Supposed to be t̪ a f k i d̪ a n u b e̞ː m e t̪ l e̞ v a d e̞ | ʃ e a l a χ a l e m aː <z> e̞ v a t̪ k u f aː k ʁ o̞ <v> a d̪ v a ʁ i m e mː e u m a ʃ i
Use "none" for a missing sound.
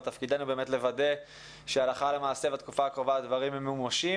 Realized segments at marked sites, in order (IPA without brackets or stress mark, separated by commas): s, v